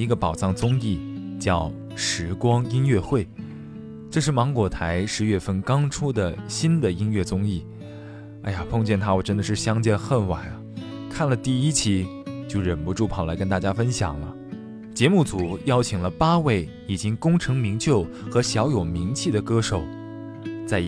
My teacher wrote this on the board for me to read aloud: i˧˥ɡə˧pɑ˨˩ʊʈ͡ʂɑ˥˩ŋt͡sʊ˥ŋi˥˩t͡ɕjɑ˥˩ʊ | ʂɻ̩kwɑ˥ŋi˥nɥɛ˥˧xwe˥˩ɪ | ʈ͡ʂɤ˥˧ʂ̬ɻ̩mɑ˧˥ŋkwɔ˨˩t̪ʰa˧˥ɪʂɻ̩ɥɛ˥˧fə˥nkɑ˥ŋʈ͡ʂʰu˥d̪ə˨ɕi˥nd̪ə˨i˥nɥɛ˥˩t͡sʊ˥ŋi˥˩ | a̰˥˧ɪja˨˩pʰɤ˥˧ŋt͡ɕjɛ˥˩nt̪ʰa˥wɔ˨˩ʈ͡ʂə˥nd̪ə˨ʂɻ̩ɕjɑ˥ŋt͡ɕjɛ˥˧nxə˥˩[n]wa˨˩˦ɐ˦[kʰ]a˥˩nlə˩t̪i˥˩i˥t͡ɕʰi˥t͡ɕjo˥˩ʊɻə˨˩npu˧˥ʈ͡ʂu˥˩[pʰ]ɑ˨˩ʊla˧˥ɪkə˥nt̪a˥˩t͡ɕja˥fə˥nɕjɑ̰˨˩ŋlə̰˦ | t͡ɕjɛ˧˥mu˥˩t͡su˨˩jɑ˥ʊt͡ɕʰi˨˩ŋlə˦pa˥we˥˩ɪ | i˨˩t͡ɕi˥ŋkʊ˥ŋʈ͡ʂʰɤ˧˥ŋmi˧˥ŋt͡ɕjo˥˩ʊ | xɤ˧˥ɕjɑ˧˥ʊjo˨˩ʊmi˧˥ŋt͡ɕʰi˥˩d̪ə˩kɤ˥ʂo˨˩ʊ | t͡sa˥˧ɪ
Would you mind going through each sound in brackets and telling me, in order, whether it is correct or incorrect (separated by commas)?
correct, correct, correct